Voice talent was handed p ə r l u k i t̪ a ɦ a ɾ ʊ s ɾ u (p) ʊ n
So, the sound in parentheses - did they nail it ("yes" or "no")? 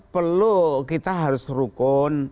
no